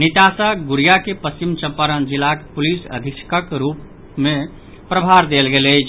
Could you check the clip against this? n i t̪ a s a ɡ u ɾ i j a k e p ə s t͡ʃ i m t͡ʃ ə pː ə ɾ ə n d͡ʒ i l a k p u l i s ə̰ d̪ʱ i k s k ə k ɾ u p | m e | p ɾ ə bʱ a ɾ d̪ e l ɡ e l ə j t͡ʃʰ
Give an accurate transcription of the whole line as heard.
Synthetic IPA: n i t̪ a s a ɡ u ɾ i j a k e p ə s t͡ʃ i m t͡ʃ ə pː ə ɾ ə n d͡ʒ i l a k p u l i s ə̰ d̪ʱ i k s k ə k ɾ u p | m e | p ɾ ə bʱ a ɾ d̪ e l ɡ e l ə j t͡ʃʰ